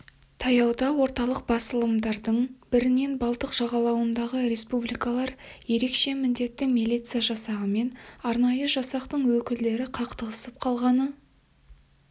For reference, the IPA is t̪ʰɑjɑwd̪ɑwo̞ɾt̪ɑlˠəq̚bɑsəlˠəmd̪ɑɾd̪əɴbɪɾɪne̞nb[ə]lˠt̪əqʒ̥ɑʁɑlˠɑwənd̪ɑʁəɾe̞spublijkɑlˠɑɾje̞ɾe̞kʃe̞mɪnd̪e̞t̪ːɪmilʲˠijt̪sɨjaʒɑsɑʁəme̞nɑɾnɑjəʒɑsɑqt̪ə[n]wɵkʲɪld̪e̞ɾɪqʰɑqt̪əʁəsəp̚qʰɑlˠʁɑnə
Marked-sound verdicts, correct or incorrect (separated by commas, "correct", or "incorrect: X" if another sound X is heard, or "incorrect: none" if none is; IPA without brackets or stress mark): incorrect: ɑ, incorrect: ɴ